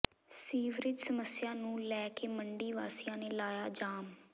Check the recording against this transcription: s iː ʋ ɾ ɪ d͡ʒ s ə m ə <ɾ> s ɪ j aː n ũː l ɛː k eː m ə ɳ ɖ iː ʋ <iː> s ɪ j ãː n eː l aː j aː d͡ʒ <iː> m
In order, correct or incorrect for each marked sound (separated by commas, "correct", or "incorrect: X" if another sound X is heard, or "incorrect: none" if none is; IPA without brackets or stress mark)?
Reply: incorrect: none, incorrect: aː, incorrect: aː